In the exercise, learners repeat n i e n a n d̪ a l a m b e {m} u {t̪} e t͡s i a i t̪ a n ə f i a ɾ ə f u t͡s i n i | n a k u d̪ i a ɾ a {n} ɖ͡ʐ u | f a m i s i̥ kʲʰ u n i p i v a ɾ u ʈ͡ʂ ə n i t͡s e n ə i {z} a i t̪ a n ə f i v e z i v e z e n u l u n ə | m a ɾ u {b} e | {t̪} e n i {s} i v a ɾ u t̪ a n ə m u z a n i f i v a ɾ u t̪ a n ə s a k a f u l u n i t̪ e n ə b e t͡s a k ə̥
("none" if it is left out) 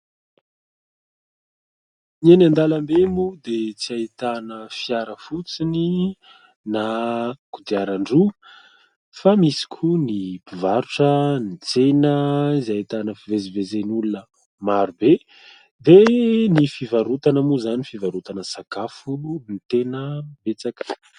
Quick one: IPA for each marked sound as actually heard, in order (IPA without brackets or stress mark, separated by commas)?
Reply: m, d̪, ɳ, z, b, d̪, f